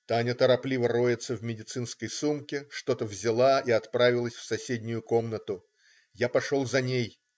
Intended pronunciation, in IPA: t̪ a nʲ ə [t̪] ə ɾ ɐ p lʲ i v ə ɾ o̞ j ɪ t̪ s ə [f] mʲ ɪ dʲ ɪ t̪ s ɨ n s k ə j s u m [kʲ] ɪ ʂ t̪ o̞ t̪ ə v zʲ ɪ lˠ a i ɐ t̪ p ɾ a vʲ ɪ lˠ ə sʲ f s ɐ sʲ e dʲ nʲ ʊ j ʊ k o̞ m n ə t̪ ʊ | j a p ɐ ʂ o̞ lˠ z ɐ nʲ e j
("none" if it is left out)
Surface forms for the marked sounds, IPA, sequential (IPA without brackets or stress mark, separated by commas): t̪, v, kʲ